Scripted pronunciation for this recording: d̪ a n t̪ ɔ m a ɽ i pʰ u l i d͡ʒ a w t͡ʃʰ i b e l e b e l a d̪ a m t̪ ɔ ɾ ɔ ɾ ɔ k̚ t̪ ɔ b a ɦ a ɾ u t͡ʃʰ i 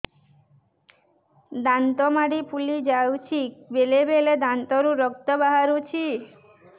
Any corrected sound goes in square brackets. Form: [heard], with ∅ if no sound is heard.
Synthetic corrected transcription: d̪ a n t̪ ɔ m a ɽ i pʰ u l i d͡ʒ a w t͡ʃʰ i b e l e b e l [e] d̪ a [n] t̪ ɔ ɾ [u] ɾ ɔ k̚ t̪ ɔ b a ɦ a ɾ u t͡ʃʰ i